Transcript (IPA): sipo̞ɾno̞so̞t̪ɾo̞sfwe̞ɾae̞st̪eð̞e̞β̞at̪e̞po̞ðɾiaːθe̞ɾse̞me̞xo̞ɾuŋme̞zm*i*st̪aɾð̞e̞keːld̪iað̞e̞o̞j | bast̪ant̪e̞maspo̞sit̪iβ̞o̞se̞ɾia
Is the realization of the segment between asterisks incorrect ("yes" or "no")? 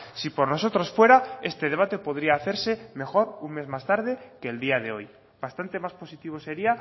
yes